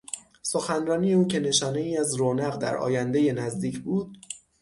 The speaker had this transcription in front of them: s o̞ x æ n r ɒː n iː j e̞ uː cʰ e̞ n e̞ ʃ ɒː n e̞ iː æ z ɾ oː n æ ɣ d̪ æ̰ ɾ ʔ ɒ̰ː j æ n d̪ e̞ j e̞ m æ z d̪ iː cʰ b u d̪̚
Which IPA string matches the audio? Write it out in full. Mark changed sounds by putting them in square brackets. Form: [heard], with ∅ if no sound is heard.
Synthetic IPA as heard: s o̞ x æ n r ɒː n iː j e̞ uː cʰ e̞ n e̞ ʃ ɒː n e̞ iː æ z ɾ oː n æ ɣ d̪ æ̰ ɾ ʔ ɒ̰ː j æ n d̪ e̞ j e̞ [n] æ z d̪ iː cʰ b [uː] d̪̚